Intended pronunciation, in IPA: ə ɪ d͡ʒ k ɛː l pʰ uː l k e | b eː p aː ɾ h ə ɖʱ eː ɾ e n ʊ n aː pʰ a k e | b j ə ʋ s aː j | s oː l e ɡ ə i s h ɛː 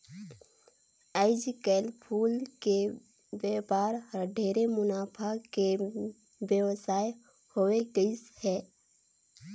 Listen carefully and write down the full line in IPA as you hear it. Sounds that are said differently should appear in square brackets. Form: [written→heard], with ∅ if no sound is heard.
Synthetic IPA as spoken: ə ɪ d͡ʒ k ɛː l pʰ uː l k e | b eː p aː ɾ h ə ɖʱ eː ɾ e [n→m] ʊ n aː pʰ a k e | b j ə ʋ s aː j | [s→h] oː [l→∅] e ɡ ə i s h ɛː